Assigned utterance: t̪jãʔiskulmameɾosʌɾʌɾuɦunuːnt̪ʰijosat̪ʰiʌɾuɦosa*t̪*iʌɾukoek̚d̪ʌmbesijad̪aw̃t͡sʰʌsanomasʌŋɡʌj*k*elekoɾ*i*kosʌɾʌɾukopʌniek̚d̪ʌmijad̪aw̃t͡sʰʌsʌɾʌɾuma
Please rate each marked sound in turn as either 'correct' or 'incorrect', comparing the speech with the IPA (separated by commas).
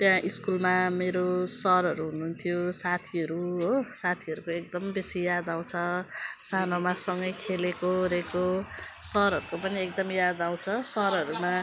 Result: incorrect, incorrect, incorrect